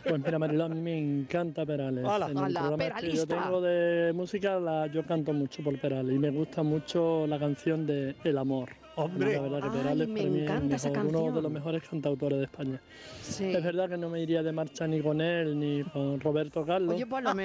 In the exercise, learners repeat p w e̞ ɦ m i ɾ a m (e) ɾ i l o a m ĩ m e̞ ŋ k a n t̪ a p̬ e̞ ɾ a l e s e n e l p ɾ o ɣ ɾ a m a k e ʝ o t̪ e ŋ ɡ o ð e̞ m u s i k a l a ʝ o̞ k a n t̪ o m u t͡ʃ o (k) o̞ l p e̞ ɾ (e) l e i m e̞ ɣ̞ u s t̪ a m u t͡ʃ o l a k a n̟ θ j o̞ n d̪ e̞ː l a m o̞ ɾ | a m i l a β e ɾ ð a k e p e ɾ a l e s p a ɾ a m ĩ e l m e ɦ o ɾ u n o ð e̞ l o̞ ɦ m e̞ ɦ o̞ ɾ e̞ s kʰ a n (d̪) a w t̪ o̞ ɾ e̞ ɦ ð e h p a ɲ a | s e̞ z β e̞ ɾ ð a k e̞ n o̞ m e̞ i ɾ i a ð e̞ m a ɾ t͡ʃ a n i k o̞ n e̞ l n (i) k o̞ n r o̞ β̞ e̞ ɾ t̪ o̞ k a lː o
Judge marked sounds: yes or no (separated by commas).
no, no, no, no, yes